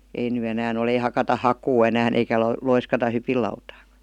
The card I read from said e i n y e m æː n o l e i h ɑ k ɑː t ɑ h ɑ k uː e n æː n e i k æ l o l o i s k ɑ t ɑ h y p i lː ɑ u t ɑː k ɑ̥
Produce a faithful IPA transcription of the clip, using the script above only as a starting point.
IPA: e i n y e n æː n o l e i h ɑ k ɑ t ɑ h ɑ k uː e n æː n e i k æ l o l o i s k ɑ t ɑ h y p i lː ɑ u t ɑː k ɑ̥